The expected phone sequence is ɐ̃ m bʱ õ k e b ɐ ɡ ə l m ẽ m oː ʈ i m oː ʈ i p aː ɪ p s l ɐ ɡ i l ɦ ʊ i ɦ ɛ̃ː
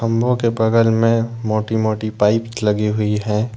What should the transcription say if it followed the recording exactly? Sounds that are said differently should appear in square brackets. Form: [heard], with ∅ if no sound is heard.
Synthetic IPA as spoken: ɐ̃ m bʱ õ k e b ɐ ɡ ə l m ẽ m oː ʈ i m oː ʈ i p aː ɪ p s l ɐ ɡ i [∅] ɦ ʊ i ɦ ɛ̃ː